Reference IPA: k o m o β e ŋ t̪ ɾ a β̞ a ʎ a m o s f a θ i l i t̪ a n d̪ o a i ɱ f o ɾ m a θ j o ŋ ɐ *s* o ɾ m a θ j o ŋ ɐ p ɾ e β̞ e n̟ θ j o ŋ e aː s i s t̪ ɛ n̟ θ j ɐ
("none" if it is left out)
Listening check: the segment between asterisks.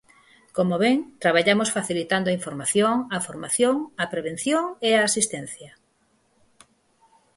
f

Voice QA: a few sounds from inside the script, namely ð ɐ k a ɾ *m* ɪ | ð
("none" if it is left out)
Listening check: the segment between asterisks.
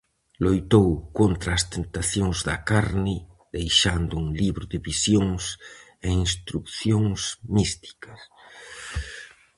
n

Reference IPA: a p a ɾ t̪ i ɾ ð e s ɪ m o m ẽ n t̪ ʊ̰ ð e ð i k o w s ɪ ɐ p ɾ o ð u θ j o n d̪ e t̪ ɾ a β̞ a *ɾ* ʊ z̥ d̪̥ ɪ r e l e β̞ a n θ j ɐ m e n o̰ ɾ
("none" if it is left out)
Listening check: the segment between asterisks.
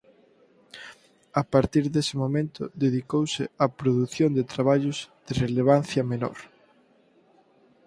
ʎ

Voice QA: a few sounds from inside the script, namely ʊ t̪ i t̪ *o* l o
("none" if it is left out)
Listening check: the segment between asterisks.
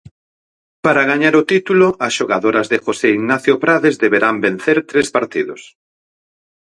u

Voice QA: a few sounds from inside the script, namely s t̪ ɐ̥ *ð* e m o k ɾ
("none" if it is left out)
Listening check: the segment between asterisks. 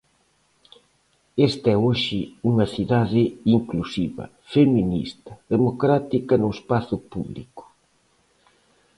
ð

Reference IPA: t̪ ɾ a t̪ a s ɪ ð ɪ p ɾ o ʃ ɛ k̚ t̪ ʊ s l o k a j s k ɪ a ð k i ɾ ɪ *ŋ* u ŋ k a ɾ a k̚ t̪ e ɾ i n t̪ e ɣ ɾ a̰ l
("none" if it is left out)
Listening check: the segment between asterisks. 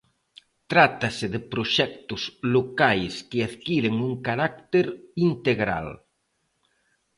ŋ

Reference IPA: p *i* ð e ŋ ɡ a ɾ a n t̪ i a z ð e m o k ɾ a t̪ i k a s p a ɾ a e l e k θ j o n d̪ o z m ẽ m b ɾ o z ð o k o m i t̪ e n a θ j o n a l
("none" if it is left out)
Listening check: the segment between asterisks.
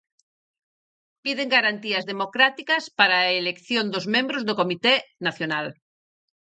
i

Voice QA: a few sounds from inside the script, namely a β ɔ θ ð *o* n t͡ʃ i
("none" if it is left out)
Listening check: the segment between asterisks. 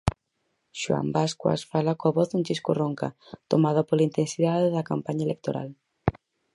u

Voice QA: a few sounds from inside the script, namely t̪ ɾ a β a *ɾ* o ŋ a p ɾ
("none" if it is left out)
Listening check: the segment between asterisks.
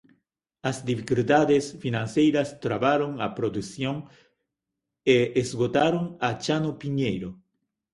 ɾ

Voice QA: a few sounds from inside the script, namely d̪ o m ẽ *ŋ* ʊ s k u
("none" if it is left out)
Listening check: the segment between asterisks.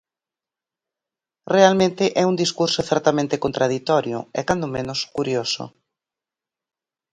n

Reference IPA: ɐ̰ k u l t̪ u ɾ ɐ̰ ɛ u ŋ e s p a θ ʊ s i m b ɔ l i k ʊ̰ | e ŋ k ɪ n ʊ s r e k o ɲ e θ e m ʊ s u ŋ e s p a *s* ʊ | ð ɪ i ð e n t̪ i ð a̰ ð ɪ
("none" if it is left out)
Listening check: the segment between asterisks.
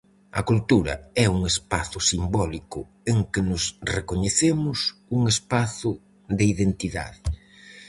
θ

